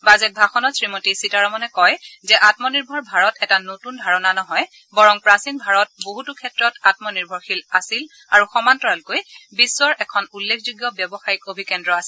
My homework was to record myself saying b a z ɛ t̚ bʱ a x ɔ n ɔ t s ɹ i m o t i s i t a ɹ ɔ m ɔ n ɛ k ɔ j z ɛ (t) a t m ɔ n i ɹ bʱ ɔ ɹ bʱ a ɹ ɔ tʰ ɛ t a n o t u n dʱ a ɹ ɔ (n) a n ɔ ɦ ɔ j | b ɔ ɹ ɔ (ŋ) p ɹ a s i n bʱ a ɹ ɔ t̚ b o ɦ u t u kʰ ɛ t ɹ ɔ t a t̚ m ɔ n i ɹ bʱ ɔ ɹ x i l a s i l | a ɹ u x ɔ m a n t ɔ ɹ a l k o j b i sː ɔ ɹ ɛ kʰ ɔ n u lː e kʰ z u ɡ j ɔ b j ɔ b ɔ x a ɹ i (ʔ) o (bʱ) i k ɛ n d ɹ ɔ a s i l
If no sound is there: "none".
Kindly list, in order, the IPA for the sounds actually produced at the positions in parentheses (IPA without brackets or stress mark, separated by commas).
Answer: ʔ, n, ŋ, k, bʱ